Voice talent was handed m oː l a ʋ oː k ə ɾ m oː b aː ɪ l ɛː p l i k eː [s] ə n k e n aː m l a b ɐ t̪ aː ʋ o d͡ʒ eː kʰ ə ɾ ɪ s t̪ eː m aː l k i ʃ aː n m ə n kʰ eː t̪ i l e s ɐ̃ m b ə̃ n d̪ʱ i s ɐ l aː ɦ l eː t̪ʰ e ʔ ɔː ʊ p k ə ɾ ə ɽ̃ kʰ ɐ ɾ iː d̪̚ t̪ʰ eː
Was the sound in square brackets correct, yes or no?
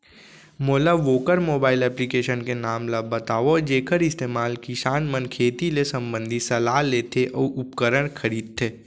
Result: no